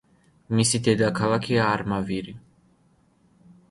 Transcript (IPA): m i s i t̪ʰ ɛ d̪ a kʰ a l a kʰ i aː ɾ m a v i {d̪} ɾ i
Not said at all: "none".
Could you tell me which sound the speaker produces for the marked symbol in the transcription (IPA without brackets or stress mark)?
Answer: none